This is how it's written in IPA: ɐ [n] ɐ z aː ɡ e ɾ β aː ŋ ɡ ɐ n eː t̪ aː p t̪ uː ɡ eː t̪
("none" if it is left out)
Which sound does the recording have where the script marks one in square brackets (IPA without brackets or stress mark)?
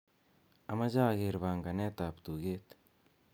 m